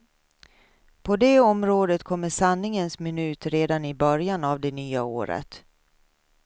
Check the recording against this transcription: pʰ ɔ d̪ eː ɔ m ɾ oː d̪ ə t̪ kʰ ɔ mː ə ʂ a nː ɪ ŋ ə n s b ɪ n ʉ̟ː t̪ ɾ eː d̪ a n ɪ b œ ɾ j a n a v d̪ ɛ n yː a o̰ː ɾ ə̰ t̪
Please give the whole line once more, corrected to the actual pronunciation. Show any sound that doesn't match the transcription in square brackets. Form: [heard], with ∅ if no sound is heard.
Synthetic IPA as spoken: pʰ ɔ d̪ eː ɔ m ɾ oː d̪ ə t̪ kʰ ɔ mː ə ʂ a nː ɪ ŋ ə n s [m] ɪ n ʉ̟ː t̪ ɾ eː d̪ a n ɪ b œ ɾ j a n a v d̪ ɛ n yː a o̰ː ɾ ə̰ t̪